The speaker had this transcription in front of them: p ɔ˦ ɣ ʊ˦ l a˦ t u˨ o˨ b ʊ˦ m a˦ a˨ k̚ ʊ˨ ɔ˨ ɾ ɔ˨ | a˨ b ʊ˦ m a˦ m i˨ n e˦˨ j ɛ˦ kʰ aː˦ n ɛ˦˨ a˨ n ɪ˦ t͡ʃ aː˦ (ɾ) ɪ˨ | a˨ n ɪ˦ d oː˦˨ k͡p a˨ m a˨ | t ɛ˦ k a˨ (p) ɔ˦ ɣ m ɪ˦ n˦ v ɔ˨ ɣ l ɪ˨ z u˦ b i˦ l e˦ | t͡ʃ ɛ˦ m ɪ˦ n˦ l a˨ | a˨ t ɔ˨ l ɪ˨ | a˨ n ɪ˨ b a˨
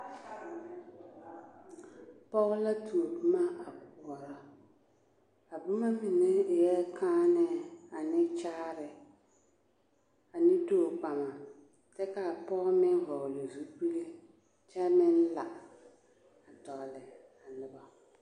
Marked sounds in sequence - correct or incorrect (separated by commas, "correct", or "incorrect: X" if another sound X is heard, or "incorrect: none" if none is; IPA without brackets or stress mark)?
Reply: correct, correct